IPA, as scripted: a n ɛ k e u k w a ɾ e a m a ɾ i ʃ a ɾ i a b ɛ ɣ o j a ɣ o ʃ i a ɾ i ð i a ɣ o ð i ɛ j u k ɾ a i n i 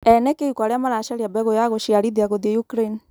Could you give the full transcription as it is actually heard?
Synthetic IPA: ɛ n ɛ k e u k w a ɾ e a m a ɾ a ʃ a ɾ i a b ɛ ɣ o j a ɣ o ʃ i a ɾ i ð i a ɣ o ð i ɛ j u k ɾ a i n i